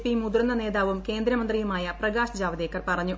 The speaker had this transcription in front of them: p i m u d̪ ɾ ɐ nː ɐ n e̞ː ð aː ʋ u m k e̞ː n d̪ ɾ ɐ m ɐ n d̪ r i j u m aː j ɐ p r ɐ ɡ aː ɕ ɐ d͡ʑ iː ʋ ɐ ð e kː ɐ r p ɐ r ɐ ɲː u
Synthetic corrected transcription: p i m u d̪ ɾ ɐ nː ɐ n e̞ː ð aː ʋ u m k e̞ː n d̪ ɾ ɐ m ɐ n d̪ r i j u m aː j ɐ p r ɐ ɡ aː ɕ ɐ d͡ʑ aː ʋ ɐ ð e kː ɐ r p ɐ r ɐ ɲː u

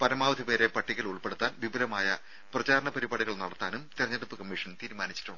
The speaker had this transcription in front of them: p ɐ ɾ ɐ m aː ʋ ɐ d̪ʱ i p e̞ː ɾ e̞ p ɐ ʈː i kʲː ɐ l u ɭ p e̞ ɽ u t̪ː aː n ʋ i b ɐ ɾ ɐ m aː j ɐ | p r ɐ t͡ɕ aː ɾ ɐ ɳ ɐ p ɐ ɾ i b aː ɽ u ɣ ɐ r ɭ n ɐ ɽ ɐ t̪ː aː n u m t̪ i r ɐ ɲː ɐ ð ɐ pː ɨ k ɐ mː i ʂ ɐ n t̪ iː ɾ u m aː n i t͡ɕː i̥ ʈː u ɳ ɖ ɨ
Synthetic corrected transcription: p ɐ ɾ ɐ m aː ʋ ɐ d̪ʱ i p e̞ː ɾ e̞ p ɐ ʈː i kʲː ɐ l u ɭ p e̞ ɽ u t̪ː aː n ʋ i b ɐ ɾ ɐ m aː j ɐ | p r ɐ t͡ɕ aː ɾ ɐ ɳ ɐ p ɐ ɾ i b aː ɽ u ɣ ɐ ɭ n ɐ ɽ ɐ t̪ː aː n u m t̪ i r ɐ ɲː ɐ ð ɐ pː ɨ k ɐ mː i ʂ ɐ n t̪ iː ɾ u m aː n i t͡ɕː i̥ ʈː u ɳ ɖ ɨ

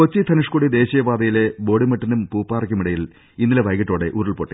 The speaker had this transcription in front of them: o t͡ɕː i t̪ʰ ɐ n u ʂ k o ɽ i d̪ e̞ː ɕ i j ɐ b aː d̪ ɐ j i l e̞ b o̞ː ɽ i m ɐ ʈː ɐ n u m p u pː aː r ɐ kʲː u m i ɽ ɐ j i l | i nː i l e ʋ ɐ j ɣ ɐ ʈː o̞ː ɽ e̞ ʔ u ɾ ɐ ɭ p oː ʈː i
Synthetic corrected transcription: o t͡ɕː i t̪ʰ ɐ n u ʂ k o ɽ i d̪ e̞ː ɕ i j ɐ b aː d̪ ɐ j i l e̞ b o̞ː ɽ i m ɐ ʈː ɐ n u m p uː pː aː r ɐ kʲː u m i ɽ ɐ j i l | i nː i l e ʋ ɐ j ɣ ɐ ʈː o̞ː ɽ e̞ ʔ u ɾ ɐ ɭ p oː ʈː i

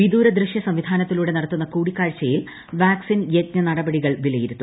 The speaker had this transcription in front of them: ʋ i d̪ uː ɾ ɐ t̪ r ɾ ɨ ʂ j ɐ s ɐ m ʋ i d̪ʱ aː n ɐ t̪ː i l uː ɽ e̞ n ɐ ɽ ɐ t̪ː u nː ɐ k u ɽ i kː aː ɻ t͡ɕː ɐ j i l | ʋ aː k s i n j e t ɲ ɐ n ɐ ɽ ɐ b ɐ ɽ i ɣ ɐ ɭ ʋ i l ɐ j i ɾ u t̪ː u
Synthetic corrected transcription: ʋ i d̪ uː ɾ ɐ d̪ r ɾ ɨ ʂ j ɐ s ɐ m ʋ i d̪ʱ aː n ɐ t̪ː i l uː ɽ e̞ n ɐ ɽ ɐ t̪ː u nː ɐ k uː ɽ i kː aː ɻ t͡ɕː ɐ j i l | ʋ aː k s i n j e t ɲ ɐ n ɐ ɽ ɐ b ɐ ɽ i ɣ ɐ ɭ ʋ i l ɐ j i ɾ u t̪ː u

